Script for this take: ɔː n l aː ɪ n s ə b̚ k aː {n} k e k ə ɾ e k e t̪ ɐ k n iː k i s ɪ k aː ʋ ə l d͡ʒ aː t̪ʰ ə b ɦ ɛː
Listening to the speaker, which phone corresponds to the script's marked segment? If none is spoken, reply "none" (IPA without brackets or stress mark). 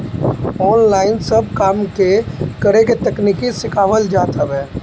m